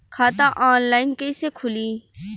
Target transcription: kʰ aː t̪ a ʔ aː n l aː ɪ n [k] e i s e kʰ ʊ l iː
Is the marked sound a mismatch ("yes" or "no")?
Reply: no